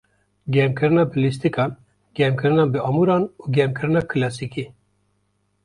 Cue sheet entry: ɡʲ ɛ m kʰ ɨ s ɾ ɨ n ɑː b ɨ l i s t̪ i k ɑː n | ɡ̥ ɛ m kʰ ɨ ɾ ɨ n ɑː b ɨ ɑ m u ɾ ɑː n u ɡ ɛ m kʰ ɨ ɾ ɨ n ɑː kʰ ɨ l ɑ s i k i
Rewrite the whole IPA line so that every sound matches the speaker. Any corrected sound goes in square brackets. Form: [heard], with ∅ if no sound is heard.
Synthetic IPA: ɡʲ ɛ m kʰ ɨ [∅] ɾ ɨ n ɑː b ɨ l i s t̪ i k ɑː n | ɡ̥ ɛ m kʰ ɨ ɾ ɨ n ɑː b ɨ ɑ m u ɾ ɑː n u ɡ ɛ m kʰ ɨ ɾ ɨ n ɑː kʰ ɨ l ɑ s i k i

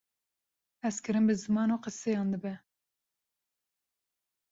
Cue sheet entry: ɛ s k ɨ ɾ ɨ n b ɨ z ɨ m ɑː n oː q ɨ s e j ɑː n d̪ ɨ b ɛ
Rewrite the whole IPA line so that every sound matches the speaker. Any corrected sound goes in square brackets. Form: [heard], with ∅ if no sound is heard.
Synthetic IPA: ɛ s k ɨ ɾ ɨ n b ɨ z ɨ m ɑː n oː q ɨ s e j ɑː n d̪ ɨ b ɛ

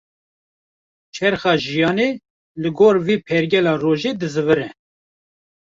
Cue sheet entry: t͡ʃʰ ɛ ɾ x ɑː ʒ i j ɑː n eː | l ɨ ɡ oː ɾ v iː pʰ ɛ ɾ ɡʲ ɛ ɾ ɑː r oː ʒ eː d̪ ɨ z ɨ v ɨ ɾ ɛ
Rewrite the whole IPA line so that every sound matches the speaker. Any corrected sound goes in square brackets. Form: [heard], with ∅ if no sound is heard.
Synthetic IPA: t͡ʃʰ ɛ ɾ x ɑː ʒ i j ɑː n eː | l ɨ ɡ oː ɾ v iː pʰ ɛ ɾ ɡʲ ɛ [l] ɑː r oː ʒ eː d̪ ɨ z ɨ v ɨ ɾ ɛ

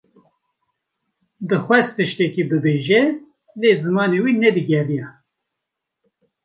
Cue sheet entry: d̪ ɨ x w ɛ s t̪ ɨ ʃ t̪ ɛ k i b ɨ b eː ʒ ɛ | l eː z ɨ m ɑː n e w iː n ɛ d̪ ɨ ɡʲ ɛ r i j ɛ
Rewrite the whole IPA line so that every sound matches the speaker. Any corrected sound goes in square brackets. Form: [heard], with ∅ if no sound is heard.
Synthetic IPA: d̪ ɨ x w ɛ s t̪ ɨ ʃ t̪ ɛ k i b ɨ b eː ʒ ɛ | l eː z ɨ m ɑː n e w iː n ɛ d̪ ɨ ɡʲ ɛ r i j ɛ

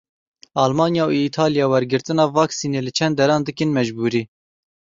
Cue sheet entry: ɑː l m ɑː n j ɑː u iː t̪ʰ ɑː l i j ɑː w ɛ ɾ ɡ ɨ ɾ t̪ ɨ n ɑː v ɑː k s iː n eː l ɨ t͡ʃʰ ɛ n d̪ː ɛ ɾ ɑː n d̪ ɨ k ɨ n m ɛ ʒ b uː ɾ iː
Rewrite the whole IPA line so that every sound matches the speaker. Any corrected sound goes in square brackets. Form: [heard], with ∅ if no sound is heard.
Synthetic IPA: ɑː l m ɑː n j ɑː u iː t̪ʰ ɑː l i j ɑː w ɛ ɾ ɡ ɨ ɾ t̪ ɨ n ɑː v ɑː k s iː n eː l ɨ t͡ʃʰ ɛ n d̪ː ɛ ɾ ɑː n d̪ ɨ k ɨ n m ɛ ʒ b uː ɾ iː

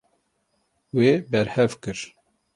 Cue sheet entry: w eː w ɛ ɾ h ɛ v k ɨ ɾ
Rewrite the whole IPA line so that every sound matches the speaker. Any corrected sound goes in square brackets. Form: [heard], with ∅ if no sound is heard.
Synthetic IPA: w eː [b] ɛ ɾ h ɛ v k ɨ ɾ

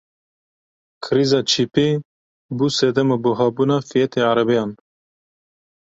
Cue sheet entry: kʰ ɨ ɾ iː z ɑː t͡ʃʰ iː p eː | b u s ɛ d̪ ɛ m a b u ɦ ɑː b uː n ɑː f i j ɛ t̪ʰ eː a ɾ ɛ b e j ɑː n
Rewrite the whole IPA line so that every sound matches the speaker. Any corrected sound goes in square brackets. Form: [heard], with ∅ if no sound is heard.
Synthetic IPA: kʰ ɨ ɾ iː z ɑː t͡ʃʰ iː p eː | b u s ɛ d̪ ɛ m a b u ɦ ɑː b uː n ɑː f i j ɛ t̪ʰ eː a ɾ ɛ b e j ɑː n

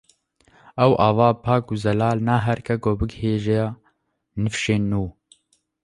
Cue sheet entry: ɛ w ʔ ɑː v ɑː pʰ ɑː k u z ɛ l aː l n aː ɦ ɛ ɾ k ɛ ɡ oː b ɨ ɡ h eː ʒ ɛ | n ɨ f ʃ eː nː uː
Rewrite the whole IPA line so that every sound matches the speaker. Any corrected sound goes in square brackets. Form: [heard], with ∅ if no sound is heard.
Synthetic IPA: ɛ w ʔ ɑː v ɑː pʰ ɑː k u z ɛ l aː l n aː ɦ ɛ ɾ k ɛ ɡ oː b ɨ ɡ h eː ʒ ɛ | n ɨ f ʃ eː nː uː

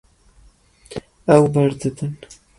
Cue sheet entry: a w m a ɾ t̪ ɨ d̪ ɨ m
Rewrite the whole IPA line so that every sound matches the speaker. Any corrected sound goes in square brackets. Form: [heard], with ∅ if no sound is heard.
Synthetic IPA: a w [b] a ɾ [d̪] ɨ d̪ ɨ [n]

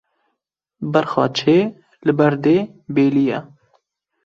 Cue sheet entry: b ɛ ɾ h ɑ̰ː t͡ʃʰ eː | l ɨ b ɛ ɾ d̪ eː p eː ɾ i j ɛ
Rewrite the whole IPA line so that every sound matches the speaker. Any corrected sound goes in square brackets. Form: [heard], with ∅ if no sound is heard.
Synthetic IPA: b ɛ ɾ [x] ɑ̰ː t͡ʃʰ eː | l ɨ b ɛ ɾ d̪ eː [b] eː [l] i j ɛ

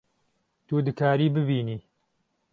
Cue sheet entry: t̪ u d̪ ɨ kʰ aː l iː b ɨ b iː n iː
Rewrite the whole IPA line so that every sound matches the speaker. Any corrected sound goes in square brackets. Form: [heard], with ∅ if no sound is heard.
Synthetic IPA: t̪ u d̪ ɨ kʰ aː [ɾ] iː b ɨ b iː n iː

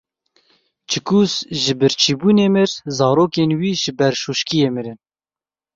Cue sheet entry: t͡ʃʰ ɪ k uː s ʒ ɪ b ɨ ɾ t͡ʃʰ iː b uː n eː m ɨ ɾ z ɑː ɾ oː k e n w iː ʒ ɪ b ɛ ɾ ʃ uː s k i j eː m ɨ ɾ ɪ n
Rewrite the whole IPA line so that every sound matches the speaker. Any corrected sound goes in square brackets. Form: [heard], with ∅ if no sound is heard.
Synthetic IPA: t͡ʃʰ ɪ k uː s ʒ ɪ b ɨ ɾ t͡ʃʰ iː b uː n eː m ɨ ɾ z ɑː ɾ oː k e n w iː ʒ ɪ b ɛ ɾ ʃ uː [ʃ] k i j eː m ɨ ɾ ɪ n

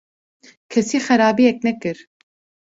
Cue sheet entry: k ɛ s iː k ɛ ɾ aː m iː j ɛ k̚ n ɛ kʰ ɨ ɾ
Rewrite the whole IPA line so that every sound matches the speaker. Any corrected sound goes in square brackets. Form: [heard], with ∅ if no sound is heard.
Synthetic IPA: [kʰ] ɛ s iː [x] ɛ ɾ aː [b] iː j ɛ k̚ n ɛ [k] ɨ ɾ

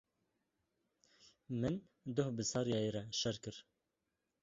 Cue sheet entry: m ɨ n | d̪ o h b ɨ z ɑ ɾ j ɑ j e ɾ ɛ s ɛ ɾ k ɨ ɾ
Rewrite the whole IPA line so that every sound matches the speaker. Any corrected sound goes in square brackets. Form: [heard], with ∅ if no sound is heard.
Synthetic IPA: m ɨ n | d̪ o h b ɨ [s] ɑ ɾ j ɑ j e ɾ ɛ [ʃ] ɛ ɾ k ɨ ɾ

